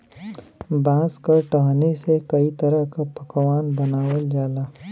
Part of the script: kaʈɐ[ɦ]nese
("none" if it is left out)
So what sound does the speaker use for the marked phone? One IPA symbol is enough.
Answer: ɦ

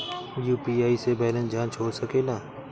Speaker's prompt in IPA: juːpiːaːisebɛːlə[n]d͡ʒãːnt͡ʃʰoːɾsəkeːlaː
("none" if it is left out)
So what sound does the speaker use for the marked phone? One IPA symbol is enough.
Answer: n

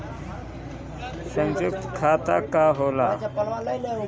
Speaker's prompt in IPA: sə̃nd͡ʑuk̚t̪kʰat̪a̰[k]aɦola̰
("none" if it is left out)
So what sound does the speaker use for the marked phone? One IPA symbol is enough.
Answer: k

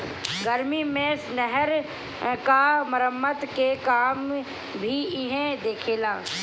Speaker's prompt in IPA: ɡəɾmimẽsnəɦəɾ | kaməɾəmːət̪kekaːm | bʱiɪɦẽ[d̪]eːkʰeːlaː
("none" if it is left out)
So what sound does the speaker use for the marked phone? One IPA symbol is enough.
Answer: d̪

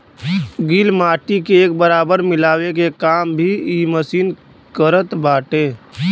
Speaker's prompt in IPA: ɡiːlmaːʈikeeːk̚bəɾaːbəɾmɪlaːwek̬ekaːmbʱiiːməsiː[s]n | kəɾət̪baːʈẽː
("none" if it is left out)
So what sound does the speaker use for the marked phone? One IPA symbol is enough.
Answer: none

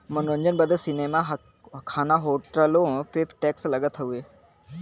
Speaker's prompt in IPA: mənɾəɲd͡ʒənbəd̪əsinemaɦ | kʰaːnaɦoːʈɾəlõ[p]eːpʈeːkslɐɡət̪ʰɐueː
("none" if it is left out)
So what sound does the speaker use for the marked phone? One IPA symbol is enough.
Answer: p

